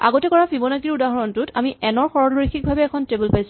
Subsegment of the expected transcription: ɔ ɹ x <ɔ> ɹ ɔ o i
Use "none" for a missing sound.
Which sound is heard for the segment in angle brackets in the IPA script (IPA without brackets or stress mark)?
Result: ɔ